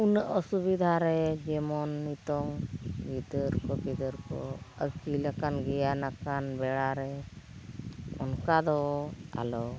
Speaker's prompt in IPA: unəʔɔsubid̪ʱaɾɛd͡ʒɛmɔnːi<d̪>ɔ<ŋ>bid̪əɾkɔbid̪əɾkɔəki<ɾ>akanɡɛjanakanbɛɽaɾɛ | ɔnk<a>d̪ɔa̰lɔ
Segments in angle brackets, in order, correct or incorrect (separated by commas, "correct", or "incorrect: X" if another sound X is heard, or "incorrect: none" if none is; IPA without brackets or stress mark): incorrect: t̪, correct, incorrect: l, correct